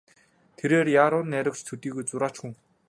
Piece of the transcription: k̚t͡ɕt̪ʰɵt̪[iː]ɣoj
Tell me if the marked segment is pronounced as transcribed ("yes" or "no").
yes